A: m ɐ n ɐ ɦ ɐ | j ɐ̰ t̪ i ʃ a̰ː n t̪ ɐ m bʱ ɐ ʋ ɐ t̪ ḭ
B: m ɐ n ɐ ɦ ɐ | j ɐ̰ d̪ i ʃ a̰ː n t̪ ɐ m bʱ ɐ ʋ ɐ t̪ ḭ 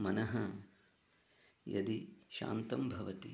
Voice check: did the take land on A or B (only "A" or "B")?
B